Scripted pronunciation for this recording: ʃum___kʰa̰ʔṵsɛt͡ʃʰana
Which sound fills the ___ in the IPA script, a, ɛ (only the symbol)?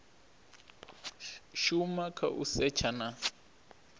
a